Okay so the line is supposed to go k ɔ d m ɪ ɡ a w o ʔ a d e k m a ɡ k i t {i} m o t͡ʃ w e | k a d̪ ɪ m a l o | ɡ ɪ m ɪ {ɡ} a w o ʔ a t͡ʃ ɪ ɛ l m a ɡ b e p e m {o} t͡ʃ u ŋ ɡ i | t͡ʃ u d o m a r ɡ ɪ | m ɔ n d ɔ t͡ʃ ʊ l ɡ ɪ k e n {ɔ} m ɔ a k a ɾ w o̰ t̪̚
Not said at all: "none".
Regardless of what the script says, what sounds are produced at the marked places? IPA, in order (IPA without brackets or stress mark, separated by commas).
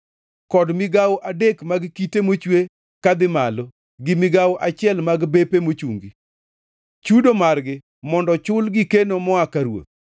e, ɡ, o, o